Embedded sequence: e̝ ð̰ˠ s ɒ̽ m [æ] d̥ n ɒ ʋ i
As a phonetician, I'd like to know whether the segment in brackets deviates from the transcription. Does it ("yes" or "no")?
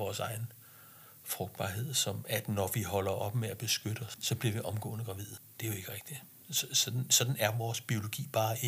no